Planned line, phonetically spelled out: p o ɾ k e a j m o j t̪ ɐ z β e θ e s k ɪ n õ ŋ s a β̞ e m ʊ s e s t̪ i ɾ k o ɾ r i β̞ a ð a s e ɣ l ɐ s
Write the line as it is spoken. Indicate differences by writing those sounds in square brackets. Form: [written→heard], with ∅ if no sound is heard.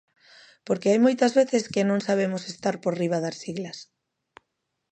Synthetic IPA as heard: p o ɾ k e a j m o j t̪ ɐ z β e θ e s k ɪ n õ ŋ s a β̞ e m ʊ s e s t̪ [i→a] ɾ [k→p] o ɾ r i β̞ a ð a s [e→i] ɣ l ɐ s